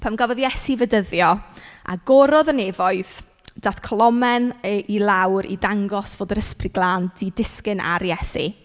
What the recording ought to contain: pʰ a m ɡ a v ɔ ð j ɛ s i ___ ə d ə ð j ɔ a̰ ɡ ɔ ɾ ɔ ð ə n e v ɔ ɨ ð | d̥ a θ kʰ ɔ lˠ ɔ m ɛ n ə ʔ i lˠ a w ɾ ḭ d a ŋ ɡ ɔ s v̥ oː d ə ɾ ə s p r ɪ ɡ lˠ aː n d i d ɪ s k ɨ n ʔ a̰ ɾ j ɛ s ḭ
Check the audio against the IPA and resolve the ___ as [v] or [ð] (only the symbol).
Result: v